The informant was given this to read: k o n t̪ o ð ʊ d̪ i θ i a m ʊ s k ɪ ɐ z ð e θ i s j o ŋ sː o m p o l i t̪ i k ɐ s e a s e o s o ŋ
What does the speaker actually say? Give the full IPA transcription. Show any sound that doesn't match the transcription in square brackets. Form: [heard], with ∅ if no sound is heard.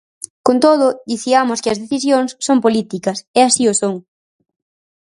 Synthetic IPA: k o n t̪ o ð ʊ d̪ i θ i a m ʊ s k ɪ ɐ z ð e θ i s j o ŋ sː o m p o l i t̪ i k ɐ s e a s [i] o s o ŋ